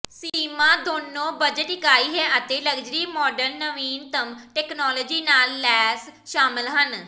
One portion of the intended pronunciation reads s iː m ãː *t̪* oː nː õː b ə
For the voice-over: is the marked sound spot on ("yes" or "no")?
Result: no